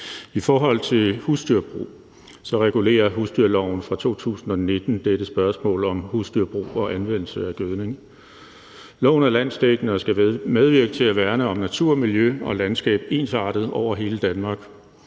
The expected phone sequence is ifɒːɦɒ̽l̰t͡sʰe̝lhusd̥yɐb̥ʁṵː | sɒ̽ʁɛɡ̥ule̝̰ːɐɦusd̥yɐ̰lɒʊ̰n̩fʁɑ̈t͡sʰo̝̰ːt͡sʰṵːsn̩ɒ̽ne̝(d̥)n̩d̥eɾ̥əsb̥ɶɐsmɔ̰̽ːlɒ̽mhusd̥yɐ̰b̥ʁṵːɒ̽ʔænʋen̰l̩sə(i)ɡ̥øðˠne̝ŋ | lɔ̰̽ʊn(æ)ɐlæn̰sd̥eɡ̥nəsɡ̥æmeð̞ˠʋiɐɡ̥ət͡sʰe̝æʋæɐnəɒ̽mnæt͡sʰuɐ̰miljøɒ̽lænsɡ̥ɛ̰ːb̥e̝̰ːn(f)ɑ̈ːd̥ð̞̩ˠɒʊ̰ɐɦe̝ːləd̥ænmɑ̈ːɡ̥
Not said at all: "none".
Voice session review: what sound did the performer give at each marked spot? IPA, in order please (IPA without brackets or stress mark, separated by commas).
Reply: d̥, æ, æ, s